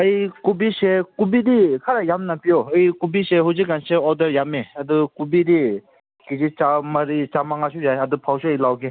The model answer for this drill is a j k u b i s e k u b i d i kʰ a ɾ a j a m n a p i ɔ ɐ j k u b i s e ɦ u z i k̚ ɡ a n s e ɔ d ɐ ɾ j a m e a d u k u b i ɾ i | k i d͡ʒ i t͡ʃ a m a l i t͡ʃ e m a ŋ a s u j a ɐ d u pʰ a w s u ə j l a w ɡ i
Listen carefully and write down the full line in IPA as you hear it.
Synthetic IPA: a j k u b i s e k u b i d i kʰ a ɾ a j a m n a p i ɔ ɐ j k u b i s e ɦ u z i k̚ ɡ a n s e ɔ d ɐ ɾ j a m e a d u k u b i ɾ i | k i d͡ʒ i t͡ʃ a m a ɾ i t͡ʃ a m a ŋ a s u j a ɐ d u pʰ a w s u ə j l a w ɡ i